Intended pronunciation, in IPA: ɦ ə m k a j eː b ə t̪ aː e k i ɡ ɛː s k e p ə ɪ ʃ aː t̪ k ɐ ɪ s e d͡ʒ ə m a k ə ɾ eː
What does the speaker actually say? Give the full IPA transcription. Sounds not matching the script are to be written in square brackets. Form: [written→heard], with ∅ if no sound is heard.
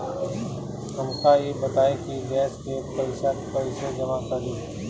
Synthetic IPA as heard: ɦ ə m k a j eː b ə t̪ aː e k i ɡ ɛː s k e p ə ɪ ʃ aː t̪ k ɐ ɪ s e d͡ʒ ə m a k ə ɾ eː